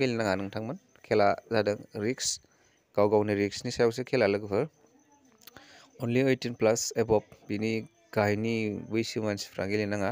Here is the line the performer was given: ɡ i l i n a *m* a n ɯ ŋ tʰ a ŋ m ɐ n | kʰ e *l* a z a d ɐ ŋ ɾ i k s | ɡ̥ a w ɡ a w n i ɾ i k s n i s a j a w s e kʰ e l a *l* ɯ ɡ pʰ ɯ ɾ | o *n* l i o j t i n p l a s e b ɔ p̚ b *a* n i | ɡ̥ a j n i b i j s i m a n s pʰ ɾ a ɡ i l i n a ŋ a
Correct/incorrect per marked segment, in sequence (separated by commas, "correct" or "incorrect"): incorrect, correct, correct, correct, incorrect